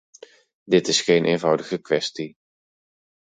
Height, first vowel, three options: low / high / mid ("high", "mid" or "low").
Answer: high